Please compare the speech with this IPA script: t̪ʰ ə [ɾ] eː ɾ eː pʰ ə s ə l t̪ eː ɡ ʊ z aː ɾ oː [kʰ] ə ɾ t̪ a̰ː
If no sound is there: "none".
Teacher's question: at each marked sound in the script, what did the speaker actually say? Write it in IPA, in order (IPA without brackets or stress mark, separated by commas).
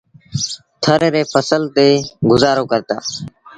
ɾ, k